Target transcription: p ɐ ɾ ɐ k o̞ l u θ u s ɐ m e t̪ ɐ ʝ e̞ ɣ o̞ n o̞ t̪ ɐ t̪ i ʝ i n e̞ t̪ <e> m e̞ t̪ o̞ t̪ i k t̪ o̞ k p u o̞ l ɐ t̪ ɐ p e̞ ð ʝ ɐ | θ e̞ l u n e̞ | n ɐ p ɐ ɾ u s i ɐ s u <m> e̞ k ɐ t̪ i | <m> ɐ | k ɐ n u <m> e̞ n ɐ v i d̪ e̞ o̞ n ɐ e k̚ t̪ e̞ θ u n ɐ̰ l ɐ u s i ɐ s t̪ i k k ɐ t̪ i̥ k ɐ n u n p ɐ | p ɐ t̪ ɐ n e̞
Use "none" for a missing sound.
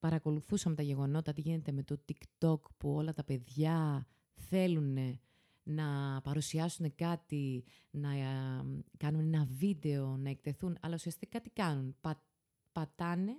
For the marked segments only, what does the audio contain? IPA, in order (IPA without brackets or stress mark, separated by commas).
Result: e, n, n, n